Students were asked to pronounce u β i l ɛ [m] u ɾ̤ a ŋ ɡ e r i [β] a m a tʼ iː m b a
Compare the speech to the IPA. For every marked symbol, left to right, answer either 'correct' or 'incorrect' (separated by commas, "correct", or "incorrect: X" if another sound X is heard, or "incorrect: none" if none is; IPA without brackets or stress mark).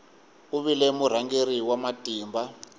correct, incorrect: w